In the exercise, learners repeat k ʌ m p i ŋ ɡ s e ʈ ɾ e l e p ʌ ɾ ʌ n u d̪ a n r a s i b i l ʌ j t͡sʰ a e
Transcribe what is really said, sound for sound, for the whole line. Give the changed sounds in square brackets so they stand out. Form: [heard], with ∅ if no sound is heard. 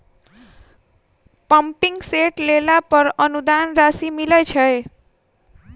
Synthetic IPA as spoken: [p] ʌ m p i ŋ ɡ s e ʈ [l] e l [a] p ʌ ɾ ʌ n u d̪ a n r a s i [m] i l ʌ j t͡sʰ [ʌ] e

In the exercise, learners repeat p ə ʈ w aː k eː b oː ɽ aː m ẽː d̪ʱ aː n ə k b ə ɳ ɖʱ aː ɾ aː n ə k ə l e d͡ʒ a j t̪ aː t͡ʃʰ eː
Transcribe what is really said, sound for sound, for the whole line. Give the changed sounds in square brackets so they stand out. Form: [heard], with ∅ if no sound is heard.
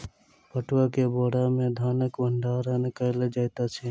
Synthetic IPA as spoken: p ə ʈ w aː k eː b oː ɽ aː m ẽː d̪ʱ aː n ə k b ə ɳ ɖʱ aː ɾ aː n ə k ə l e d͡ʒ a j t̪ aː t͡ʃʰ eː

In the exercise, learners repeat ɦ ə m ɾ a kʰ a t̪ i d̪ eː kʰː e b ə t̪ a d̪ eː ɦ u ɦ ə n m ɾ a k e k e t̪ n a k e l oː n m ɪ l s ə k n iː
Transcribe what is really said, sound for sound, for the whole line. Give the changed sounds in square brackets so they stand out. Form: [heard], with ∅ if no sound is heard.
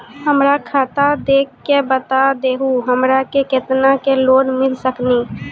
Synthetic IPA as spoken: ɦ ə m ɾ a kʰ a t̪ [a] d̪ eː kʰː e b ə t̪ a d̪ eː ɦ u ɦ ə [∅] m ɾ a k e k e t̪ n a k e l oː n m ɪ l s ə k n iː

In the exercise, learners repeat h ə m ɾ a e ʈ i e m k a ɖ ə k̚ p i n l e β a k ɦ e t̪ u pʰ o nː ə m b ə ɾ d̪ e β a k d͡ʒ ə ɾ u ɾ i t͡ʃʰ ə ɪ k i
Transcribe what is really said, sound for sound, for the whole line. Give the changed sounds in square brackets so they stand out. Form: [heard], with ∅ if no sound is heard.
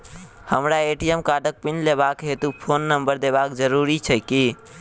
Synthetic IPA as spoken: h ə m ɾ a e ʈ i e m k a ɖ ə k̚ p i n l e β a k ɦ e t̪ u pʰ o nː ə m b ə ɾ d̪ e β a k d͡ʒ ə ɾ u ɾ i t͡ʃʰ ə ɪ k i

